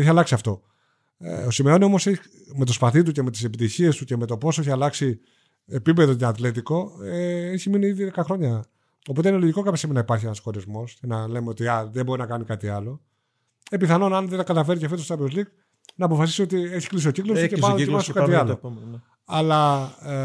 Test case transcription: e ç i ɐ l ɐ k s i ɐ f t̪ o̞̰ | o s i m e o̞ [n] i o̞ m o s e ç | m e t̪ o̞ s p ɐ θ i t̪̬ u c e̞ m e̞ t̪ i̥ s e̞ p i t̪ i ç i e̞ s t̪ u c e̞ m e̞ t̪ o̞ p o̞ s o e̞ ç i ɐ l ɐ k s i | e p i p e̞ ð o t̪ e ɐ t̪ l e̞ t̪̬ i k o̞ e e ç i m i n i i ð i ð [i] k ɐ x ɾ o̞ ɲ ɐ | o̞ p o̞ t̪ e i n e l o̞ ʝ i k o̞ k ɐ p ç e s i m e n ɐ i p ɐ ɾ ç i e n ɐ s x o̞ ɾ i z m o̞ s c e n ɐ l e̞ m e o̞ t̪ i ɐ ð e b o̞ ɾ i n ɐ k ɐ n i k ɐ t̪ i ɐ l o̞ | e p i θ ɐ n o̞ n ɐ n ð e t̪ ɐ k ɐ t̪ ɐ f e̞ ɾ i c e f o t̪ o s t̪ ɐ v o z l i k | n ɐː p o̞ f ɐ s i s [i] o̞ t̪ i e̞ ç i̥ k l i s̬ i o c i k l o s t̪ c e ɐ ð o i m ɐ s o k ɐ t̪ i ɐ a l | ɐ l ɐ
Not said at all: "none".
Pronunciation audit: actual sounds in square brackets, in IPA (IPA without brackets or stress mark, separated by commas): n, e, i